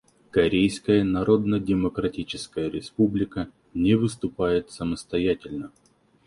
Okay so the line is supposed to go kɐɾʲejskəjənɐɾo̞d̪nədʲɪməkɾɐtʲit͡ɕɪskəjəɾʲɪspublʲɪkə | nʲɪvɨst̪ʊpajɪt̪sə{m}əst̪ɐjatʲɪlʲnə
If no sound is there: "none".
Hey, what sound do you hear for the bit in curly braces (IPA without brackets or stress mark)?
m